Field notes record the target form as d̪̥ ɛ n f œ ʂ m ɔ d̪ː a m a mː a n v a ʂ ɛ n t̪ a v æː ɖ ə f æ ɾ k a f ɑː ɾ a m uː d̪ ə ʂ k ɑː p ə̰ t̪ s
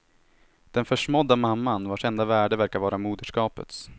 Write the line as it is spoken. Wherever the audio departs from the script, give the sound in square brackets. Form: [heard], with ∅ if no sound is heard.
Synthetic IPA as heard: d̪̥ ɛ n f œ ʂ m ɔ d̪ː a m a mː a n v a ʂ ɛ n [d̪] a v æː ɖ ə [v] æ ɾ k a [v] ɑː ɾ a m uː d̪ ə ʂ k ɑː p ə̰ t̪ s